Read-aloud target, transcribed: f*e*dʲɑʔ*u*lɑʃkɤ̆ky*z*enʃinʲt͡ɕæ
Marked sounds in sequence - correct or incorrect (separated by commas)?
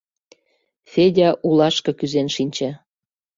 correct, correct, correct